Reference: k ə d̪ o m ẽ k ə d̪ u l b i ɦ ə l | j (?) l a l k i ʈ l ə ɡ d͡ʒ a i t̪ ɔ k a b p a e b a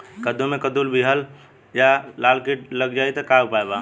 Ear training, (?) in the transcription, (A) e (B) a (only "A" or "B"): B